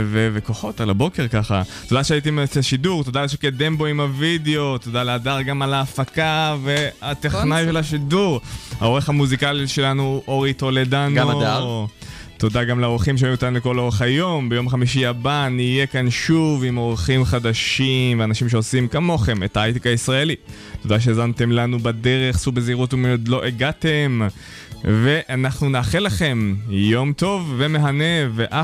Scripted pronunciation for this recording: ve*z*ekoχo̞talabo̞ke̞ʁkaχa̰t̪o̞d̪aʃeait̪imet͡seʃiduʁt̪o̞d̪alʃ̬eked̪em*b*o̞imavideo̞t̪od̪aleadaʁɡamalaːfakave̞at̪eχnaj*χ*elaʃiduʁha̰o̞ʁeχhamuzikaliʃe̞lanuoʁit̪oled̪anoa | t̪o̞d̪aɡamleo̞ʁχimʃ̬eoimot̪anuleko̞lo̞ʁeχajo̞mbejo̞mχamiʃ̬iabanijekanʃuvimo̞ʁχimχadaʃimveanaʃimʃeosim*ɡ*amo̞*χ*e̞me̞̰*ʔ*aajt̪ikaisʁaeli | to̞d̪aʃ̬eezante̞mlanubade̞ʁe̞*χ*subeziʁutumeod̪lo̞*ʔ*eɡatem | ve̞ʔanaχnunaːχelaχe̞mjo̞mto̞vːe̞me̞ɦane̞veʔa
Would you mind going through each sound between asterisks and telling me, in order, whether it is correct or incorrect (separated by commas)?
incorrect, correct, incorrect, incorrect, correct, incorrect, correct, correct